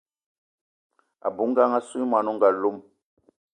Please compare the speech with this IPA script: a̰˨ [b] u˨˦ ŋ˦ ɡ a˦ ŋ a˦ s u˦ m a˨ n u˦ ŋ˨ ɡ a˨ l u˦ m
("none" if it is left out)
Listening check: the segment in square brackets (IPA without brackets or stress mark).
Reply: b